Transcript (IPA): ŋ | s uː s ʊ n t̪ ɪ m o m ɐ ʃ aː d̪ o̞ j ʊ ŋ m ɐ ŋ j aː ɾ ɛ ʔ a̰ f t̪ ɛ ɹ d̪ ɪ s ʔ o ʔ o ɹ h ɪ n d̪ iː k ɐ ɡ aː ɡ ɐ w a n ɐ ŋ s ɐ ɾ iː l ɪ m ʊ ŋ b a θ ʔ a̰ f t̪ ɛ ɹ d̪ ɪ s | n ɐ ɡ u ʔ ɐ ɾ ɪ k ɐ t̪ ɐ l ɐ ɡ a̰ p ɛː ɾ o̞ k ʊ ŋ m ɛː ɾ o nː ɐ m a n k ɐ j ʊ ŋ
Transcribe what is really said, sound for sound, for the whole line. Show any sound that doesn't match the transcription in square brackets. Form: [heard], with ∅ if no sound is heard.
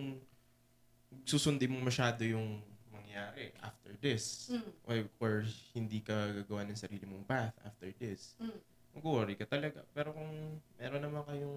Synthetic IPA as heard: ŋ | s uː s ʊ n [d̪] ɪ m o m ɐ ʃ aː d̪ o̞ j ʊ ŋ m ɐ ŋ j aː ɾ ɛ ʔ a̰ f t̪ ɛ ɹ d̪ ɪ s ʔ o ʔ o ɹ h ɪ n d̪ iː k ɐ ɡ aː ɡ ɐ w a n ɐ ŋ s ɐ ɾ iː l ɪ m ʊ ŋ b a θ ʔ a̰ f t̪ ɛ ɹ d̪ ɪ s | [m] ɐ ɡ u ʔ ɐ ɾ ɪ k ɐ t̪ ɐ l ɐ ɡ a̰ p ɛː ɾ o̞ k ʊ ŋ m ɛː ɾ o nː ɐ m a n k ɐ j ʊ ŋ